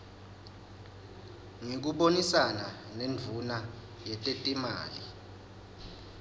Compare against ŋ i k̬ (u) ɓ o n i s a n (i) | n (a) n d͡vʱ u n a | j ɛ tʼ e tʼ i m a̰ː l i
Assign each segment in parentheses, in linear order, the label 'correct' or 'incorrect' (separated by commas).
correct, incorrect, incorrect